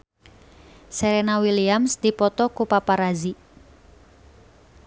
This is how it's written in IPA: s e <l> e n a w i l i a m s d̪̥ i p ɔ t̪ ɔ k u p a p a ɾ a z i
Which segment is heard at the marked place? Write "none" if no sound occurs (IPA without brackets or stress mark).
ɾ